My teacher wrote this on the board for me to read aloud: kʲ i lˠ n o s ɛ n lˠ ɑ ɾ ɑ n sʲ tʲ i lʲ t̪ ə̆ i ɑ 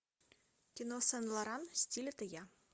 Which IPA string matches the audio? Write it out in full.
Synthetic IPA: kʲ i n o s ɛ n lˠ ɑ ɾ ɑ n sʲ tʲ i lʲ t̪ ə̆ j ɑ